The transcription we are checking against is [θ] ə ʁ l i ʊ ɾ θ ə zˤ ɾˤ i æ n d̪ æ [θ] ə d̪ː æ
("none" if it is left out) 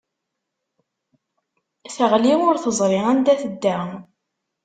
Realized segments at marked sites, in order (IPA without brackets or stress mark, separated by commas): θ, θ